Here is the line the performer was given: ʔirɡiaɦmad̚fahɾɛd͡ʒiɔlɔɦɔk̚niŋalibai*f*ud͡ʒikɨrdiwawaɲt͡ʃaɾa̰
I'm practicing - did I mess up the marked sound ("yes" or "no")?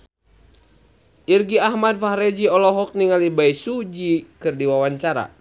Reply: yes